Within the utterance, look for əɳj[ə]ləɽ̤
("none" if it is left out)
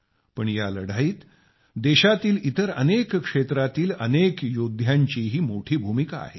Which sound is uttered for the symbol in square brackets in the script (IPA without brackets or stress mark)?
a